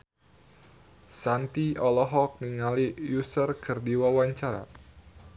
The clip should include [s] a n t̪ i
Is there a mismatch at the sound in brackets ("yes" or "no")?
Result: no